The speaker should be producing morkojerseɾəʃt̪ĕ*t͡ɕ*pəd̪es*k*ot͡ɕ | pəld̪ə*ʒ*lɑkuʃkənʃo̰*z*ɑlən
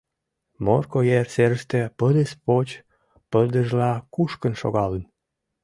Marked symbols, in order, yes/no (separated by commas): no, no, yes, no